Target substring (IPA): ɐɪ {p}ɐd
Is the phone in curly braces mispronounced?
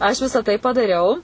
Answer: no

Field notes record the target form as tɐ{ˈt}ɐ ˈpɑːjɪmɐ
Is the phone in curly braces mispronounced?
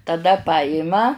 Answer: yes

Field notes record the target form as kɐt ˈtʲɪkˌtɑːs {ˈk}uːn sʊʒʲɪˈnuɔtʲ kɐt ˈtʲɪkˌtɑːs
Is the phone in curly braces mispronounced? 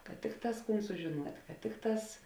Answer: no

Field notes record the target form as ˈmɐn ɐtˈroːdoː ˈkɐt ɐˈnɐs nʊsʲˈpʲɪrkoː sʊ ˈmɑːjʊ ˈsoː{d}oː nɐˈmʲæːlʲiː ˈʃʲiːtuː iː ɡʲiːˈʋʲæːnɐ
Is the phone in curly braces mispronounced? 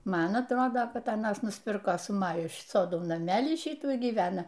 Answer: no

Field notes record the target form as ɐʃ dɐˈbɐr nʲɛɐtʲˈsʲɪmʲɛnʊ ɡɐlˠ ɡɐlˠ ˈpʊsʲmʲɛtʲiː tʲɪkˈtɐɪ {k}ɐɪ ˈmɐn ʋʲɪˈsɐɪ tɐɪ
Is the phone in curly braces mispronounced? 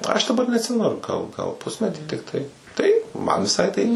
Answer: yes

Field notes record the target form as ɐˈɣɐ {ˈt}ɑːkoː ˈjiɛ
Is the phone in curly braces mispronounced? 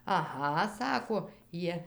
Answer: yes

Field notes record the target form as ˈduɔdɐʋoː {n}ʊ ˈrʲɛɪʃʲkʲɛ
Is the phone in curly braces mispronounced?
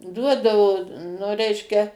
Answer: no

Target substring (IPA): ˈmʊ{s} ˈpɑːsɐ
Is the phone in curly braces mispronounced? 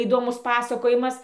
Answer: no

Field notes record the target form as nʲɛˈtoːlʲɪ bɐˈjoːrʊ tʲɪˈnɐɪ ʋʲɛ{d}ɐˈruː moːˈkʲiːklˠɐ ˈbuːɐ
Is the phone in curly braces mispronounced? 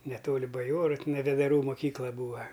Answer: no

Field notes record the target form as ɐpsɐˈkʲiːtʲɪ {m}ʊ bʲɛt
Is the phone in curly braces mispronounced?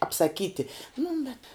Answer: yes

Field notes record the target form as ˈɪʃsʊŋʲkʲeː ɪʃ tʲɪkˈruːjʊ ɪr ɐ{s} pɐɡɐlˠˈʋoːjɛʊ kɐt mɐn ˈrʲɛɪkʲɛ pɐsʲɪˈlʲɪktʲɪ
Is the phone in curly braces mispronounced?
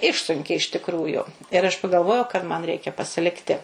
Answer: yes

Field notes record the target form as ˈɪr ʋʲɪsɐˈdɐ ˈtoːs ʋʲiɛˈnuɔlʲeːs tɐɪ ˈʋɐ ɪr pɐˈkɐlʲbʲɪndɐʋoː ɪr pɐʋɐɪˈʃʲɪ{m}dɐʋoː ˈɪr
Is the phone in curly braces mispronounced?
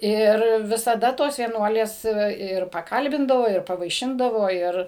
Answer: yes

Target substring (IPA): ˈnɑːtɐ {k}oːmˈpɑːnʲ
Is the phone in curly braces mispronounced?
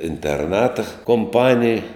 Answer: no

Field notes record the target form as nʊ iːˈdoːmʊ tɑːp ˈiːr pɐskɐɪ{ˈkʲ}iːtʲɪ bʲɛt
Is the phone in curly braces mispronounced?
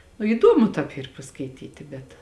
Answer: yes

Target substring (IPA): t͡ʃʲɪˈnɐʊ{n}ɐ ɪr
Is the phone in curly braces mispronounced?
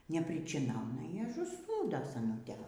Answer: no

